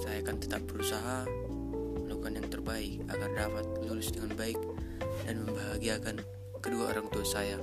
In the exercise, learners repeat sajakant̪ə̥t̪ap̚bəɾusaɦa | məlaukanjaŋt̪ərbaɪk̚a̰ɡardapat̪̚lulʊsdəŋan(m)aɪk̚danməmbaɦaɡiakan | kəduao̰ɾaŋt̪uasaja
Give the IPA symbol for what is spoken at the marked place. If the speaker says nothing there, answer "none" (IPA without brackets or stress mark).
b